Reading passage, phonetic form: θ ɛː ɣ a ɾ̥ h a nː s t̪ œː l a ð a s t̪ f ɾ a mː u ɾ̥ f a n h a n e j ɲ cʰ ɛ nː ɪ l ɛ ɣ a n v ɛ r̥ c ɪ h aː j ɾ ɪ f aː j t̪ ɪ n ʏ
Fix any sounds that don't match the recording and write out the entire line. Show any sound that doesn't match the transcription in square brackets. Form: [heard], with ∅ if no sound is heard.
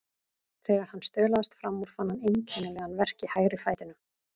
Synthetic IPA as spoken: θ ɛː ɣ a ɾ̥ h a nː s t̪ œː l a ð a s t̪ f ɾ a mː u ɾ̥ f a n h a n e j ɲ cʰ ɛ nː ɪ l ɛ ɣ a n v ɛ r̥ c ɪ h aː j ɾ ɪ f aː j t̪ ɪ n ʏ